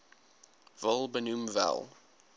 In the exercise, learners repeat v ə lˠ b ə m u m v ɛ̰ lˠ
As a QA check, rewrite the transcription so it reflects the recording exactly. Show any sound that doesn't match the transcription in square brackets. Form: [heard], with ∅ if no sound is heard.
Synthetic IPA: v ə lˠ b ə [n] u m v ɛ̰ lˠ